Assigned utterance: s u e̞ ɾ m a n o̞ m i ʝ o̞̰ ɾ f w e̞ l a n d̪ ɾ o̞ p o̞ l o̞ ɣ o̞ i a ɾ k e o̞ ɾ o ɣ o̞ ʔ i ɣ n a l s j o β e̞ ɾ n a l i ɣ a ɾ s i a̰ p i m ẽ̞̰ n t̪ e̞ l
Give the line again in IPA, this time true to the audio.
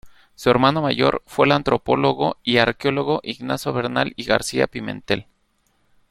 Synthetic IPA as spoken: s u e̞ ɾ m a n o̞ m a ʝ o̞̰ ɾ f w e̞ l a n t̪ ɾ o̞ p o̞ l o̞ ɣ o̞ i a ɾ k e o̞ l o ɣ o̞ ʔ i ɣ n a s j o β e̞ ɾ n a l i ɣ a ɾ s i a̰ p i m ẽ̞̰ n t̪ e̞ l